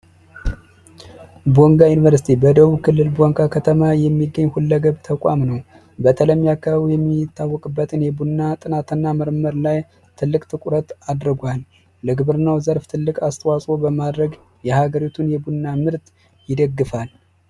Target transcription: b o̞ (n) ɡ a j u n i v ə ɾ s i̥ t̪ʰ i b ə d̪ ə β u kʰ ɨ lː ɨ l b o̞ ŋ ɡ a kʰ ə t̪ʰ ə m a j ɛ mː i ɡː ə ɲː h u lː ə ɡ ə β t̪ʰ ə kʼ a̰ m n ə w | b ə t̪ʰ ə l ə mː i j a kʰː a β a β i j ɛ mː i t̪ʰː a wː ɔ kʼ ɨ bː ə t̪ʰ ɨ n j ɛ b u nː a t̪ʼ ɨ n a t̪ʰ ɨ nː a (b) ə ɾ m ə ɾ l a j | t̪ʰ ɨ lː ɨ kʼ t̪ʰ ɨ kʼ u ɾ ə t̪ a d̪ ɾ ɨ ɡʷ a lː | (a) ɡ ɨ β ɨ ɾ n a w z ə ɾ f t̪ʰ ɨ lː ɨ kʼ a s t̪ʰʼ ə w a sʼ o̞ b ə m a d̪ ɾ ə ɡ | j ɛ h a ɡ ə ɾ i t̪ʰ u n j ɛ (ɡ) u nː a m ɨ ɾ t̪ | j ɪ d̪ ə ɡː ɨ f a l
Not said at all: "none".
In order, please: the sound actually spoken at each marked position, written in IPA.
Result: ŋ, m, ə, b

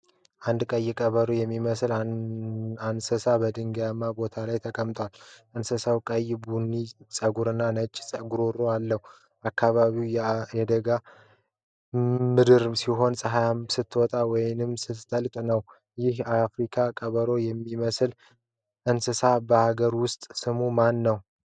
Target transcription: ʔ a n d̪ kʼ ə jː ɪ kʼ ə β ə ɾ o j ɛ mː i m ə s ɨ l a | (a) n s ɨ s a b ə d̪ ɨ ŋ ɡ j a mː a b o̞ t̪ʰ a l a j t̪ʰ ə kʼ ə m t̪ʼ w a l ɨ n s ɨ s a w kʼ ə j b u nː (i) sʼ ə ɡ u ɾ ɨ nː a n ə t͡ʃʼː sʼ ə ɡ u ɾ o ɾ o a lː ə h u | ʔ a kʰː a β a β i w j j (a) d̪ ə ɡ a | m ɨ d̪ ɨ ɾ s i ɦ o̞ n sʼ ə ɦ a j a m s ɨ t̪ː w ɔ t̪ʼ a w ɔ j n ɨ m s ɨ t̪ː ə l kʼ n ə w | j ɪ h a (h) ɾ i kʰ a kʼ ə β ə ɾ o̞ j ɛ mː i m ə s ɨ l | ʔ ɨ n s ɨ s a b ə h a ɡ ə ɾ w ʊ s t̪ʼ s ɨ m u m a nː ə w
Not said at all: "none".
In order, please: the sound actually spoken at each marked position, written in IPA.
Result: a, i, ɛ, f

